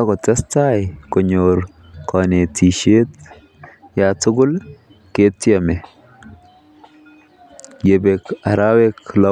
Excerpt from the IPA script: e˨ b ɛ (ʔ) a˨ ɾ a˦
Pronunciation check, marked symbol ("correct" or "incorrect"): incorrect